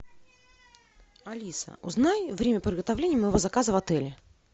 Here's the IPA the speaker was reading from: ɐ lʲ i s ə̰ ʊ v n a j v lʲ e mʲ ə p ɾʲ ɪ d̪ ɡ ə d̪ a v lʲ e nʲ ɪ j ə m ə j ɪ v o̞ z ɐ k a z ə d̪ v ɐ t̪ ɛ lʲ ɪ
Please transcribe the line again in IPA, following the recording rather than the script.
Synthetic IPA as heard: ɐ lʲ i s ə̰ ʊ z n a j v ɾʲ e mʲ ə p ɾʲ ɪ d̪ ɡ ə t̪ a v lʲ e nʲ ɪ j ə m ə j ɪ v o̞ z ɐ k a z ə v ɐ t̪ ɛ lʲ ɪ